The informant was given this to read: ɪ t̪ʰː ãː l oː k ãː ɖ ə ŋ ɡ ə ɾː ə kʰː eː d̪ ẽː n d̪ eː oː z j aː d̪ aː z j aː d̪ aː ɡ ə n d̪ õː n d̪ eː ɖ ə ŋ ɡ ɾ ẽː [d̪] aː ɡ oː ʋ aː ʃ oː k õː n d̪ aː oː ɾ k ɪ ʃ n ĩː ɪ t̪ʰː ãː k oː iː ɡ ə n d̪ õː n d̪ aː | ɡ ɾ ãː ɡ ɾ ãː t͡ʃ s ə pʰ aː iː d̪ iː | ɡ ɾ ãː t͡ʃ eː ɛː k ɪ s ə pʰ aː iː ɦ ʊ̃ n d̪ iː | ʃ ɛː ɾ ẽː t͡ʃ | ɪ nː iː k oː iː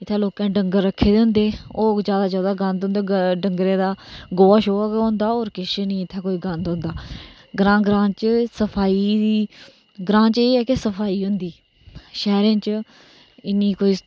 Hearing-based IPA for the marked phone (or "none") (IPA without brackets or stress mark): d̪